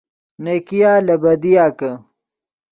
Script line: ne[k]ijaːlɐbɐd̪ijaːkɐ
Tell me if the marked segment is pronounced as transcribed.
yes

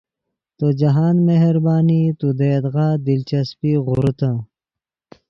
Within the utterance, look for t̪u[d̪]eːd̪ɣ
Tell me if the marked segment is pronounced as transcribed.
yes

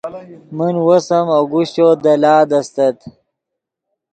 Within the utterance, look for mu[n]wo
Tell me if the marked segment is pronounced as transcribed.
yes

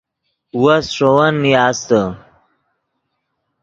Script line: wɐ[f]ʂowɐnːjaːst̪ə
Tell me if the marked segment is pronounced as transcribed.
no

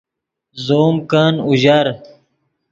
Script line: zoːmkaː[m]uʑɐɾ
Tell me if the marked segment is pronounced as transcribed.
no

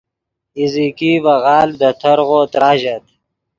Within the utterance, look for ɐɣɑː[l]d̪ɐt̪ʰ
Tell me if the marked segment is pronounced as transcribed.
yes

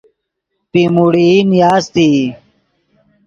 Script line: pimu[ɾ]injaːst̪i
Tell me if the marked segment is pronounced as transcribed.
no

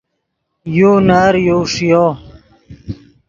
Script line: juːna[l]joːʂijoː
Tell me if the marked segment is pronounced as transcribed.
no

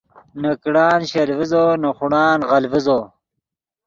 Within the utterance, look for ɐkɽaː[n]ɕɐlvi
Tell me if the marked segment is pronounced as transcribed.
yes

